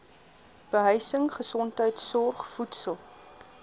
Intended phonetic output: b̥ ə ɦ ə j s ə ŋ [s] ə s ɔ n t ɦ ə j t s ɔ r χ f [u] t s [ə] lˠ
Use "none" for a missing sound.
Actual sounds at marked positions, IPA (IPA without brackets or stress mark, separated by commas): χ, u, ə